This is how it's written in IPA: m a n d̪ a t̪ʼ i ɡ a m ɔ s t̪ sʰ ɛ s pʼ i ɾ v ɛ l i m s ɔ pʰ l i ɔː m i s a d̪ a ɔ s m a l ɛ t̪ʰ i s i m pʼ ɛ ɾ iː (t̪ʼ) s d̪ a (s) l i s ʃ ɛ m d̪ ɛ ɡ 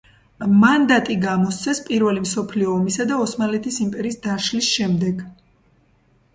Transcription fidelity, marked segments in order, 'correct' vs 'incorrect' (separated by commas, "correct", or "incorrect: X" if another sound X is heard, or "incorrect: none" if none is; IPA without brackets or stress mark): incorrect: none, incorrect: ʃ